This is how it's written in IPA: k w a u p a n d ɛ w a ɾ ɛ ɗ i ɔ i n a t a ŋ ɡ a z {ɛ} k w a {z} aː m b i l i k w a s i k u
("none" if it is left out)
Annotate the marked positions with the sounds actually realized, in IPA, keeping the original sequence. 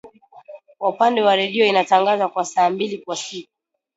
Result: a, s

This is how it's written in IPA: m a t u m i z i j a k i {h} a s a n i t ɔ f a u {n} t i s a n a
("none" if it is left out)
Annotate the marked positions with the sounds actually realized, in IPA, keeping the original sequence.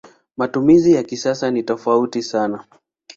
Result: s, none

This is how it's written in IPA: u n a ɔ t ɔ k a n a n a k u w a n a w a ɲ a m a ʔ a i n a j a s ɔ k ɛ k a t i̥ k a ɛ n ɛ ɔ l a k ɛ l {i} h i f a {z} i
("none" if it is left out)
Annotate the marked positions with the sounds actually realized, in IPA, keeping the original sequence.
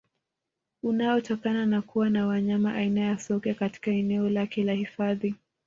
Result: a, ð

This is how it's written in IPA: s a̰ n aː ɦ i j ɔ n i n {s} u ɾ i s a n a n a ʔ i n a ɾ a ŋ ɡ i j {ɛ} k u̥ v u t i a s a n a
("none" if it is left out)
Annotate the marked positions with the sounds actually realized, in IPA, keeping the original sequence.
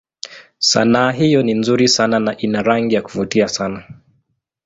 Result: z, a

